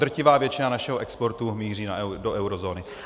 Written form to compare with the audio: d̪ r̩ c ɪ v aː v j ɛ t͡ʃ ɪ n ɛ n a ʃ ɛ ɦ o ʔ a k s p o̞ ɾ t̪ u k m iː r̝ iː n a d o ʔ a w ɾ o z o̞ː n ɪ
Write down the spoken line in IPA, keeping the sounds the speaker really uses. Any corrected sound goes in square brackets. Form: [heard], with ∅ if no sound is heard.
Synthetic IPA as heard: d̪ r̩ c ɪ v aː v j ɛ t͡ʃ ɪ n [a] n a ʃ ɛ ɦ o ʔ [ɛ] k s p o̞ ɾ t̪ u [∅] m iː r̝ iː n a d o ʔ [ɛ] w ɾ o z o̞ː n ɪ

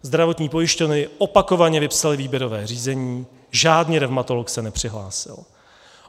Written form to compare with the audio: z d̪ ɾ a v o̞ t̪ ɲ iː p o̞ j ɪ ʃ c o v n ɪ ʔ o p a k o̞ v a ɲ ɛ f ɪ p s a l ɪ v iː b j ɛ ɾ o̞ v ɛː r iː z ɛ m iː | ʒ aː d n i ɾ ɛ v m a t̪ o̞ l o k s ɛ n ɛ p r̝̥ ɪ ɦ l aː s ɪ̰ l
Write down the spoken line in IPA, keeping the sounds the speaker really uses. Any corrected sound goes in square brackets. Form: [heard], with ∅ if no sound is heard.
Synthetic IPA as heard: z d̪ ɾ a v o̞ t̪ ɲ iː p o̞ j ɪ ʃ c o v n ɪ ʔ o p a k o̞ v a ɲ ɛ [v] ɪ p s a l ɪ v iː b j ɛ ɾ o̞ v ɛː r iː z ɛ [ɲ] iː | ʒ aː d n i ɾ ɛ v m a t̪ o̞ l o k s ɛ n ɛ p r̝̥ ɪ ɦ l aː s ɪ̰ l

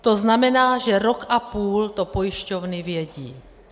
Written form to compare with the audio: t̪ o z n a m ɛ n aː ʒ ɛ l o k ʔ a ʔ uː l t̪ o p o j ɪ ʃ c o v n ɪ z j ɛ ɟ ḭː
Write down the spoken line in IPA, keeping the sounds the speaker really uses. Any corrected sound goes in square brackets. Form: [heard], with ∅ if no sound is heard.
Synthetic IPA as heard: t̪ o z n a m ɛ n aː ʒ ɛ [ɾ] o k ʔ a [p] uː l t̪ o p o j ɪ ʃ c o v n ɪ [v] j ɛ ɟ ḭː

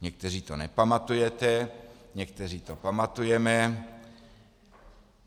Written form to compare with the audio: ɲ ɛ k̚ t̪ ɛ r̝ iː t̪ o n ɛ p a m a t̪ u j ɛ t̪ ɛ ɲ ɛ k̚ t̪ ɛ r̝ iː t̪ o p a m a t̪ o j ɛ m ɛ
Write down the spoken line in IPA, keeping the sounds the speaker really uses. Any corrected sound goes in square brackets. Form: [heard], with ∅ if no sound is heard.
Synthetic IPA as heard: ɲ ɛ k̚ t̪ ɛ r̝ iː t̪ o n ɛ p a m a t̪ u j ɛ t̪ ɛ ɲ ɛ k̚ t̪ ɛ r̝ iː t̪ o p a m a t̪ [u] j ɛ m ɛ

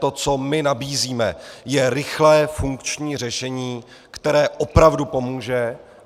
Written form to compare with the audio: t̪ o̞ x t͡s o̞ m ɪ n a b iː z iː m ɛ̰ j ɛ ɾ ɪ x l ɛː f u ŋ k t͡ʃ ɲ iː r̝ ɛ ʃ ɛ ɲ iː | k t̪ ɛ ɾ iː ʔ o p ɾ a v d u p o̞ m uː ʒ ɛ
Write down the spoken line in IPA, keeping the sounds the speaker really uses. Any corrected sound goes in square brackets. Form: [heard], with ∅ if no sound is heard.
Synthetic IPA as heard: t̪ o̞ [∅] t͡s o̞ m ɪ n a b iː z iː m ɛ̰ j ɛ ɾ ɪ x l ɛː f u ŋ k t͡ʃ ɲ iː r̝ ɛ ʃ ɛ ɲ iː | k t̪ ɛ ɾ [ɛː] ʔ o p ɾ a v d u p o̞ m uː ʒ ɛ

